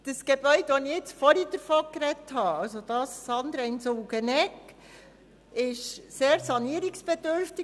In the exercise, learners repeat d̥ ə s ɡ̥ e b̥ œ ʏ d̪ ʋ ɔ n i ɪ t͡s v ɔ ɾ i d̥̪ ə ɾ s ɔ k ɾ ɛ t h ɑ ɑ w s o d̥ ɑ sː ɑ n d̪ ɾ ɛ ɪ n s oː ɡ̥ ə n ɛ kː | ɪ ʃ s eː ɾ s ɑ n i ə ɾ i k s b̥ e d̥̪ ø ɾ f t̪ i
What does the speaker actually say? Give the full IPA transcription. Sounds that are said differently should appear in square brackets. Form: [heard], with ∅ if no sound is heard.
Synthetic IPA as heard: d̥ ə s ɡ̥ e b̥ œ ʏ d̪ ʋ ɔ n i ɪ t͡s [f] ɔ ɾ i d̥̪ ə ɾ [f] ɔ k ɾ ɛ t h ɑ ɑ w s o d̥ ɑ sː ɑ n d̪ ɾ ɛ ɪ n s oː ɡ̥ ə n ɛ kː | ɪ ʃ s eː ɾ s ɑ n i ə ɾ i k s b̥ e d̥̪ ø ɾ f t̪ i